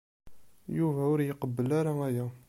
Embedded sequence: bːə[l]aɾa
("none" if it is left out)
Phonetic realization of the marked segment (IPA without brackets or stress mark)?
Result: l